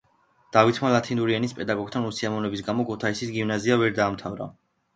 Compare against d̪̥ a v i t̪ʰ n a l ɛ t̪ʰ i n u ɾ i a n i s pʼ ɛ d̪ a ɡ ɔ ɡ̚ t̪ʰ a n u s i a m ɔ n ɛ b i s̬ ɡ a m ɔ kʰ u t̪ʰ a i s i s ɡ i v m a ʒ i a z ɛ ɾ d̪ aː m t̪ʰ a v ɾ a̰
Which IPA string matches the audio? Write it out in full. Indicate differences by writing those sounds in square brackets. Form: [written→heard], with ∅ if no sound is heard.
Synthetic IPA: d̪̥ a v i t̪ʰ [n→m] a l [ɛ→a] t̪ʰ i n u ɾ i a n i s pʼ ɛ d̪ a ɡ ɔ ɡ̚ t̪ʰ a n u s i a m ɔ n ɛ b i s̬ ɡ a m ɔ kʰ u t̪ʰ a i s i s ɡ i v [m→n] a [ʒ→z] i a [z→v] ɛ ɾ d̪ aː m t̪ʰ a v ɾ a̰

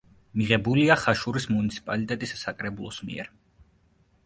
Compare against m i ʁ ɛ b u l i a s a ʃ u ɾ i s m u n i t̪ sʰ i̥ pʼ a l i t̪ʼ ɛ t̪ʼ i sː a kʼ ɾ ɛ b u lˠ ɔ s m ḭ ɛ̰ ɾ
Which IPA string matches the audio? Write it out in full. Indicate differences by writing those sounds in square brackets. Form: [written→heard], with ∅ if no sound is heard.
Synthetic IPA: m i ʁ ɛ b u l i a [s→χ] a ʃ u ɾ i s m u n i t̪ sʰ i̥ pʼ a l i t̪ʼ ɛ t̪ʼ i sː a kʼ ɾ ɛ b u lˠ ɔ s m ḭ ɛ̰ ɾ

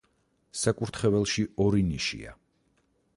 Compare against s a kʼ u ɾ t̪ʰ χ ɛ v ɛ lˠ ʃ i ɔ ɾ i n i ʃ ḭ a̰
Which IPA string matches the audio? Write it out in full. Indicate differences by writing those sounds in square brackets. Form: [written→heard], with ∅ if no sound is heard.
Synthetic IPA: s a kʼ u ɾ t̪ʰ χ ɛ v ɛ lˠ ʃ i ɔ ɾ i n i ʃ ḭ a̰

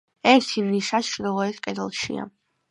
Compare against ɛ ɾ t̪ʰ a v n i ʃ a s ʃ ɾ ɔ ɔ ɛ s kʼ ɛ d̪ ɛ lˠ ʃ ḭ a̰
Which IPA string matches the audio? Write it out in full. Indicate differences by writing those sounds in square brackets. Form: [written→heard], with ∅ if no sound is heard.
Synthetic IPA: ɛ ɾ t̪ʰ [a→i] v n i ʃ a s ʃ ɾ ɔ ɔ ɛ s kʼ ɛ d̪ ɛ lˠ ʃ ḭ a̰

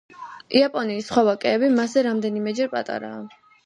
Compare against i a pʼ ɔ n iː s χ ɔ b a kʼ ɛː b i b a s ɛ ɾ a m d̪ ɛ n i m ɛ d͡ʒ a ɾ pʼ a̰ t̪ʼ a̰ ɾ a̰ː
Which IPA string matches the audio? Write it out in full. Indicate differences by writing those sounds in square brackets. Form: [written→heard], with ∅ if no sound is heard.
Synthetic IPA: i a pʼ ɔ n iː s χ ɔ [b→v] a kʼ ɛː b i [b→m] a s ɛ ɾ a m d̪ ɛ n i m ɛ d͡ʒ [a→ɛ] ɾ pʼ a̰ t̪ʼ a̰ ɾ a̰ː

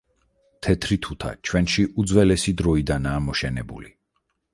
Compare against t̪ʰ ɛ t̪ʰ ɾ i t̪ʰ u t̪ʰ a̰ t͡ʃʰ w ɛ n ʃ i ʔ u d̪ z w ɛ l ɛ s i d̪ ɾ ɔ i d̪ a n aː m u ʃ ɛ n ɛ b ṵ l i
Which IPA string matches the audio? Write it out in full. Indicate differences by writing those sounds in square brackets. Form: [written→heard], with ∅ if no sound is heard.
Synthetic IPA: t̪ʰ ɛ t̪ʰ ɾ i t̪ʰ u t̪ʰ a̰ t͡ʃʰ w ɛ n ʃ i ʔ u d̪ z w ɛ l ɛ s i d̪ ɾ ɔ i d̪ a n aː m [u→ɔ] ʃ ɛ n ɛ b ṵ l i

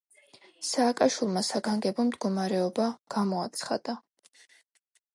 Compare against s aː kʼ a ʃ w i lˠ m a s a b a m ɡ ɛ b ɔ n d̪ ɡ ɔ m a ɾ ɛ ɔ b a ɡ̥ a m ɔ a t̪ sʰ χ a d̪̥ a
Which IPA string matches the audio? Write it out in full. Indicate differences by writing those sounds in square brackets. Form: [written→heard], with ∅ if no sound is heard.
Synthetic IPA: s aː kʼ a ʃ w i lˠ m a s a [b→ɡ] a [m→ŋ] ɡ ɛ b ɔ [n→m] d̪ ɡ ɔ m a ɾ ɛ ɔ b a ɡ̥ a m ɔ a t̪ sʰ χ a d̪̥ a

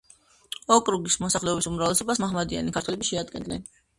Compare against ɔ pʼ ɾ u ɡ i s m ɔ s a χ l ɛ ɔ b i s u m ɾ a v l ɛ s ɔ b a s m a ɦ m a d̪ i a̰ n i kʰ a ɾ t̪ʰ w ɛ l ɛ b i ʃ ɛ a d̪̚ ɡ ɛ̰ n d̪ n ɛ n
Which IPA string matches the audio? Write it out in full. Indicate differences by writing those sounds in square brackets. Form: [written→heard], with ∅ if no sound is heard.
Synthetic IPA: ɔ [pʼ→kʼ] ɾ u ɡ i s m ɔ s a χ l ɛ ɔ b i s u m ɾ a v l ɛ s ɔ b a s m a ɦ m a d̪ i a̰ n i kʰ a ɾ t̪ʰ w ɛ l ɛ b i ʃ ɛ a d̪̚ ɡ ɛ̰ n d̪ n ɛ n

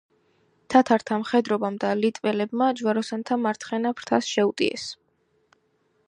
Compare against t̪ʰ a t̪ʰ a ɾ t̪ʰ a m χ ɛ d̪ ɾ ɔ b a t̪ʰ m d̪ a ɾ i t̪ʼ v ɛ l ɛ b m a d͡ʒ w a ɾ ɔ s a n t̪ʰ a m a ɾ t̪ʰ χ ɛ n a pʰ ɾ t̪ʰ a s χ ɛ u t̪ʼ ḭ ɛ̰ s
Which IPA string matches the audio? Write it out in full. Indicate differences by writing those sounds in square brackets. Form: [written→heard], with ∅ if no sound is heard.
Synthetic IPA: t̪ʰ a t̪ʰ a ɾ t̪ʰ a m χ ɛ d̪ ɾ ɔ b a [t̪ʰ→∅] m d̪ a [ɾ→l] i t̪ʼ v ɛ l ɛ b m a d͡ʒ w a ɾ ɔ s a n t̪ʰ a m a ɾ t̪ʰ χ ɛ n a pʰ ɾ t̪ʰ a s [χ→ʃ] ɛ u t̪ʼ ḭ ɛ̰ s

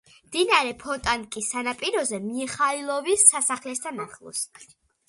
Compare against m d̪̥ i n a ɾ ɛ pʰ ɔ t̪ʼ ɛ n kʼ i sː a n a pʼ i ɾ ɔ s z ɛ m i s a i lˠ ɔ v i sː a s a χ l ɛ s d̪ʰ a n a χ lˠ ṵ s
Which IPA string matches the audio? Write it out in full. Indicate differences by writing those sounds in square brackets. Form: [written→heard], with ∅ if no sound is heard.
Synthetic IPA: m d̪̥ i n a ɾ ɛ pʰ ɔ t̪ʼ [ɛ→a] n kʼ i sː a n a pʼ i ɾ ɔ [s→∅] z ɛ m i [s→χ] a i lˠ ɔ v i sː a s a χ l ɛ s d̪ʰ a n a χ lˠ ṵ s

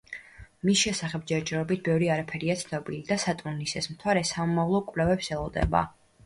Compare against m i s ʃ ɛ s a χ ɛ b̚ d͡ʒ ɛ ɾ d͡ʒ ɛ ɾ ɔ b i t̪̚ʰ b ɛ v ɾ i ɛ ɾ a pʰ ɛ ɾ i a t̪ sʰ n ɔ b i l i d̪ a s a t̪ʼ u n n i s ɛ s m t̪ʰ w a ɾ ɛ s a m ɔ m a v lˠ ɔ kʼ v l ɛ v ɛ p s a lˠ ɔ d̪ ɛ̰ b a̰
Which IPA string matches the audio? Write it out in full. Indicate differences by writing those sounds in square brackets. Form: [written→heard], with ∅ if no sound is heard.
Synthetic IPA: m i s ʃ ɛ s a χ ɛ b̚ d͡ʒ ɛ ɾ d͡ʒ ɛ ɾ ɔ b i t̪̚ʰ b ɛ v ɾ i [ɛ→a] ɾ a pʰ ɛ ɾ i a t̪ sʰ n ɔ b i l i d̪ a s a t̪ʼ u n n i s ɛ s m t̪ʰ w a ɾ ɛ s a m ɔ m a v lˠ ɔ kʼ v l ɛ v ɛ p s [a→ɛ] lˠ ɔ d̪ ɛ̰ b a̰

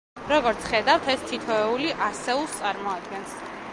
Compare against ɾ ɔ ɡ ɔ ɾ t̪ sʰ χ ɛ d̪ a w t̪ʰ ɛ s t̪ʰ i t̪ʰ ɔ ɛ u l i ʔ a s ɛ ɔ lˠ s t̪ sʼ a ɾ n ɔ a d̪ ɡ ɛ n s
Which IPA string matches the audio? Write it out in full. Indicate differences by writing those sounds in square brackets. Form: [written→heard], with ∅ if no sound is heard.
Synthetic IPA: ɾ ɔ ɡ ɔ ɾ t̪ sʰ χ ɛ d̪ a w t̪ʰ ɛ s t̪ʰ i t̪ʰ ɔ ɛ u l i ʔ a s ɛ [ɔ→u] lˠ s t̪ sʼ a ɾ [n→m] ɔ a d̪ ɡ ɛ n s

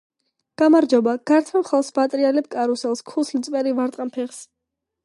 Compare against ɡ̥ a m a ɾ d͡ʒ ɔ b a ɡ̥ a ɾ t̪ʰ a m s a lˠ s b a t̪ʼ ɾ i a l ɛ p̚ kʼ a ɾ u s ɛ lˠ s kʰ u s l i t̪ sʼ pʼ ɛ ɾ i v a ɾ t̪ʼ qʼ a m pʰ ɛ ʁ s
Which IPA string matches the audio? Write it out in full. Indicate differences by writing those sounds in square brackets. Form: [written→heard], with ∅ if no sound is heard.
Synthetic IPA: ɡ̥ a m a ɾ d͡ʒ ɔ b a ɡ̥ a ɾ t̪ʰ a m [s→χ] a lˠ s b a t̪ʼ ɾ i a l ɛ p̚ kʼ a ɾ u s ɛ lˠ s kʰ u s l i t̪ sʼ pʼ ɛ ɾ i v a ɾ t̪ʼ qʼ a m pʰ ɛ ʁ s

